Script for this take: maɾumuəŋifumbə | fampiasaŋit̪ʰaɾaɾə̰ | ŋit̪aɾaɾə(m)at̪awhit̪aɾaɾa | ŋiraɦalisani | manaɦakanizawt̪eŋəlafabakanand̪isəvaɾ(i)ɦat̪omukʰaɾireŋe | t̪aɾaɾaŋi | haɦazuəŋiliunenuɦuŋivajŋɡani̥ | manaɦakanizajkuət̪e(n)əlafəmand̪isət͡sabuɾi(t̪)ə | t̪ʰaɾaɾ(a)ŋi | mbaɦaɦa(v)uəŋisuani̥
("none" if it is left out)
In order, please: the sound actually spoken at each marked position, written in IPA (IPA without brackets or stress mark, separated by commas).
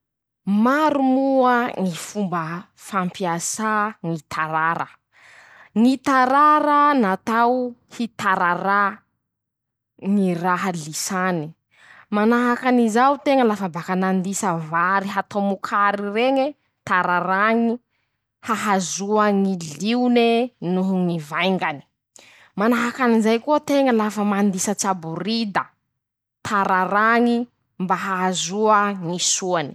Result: n, i, ŋ, d̪, a, z